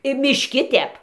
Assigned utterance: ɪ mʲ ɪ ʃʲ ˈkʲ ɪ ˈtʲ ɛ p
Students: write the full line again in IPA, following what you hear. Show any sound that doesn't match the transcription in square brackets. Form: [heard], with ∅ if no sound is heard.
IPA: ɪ mʲ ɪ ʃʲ ˈkʲ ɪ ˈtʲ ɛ p